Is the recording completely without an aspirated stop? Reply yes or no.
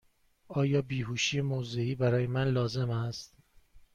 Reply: yes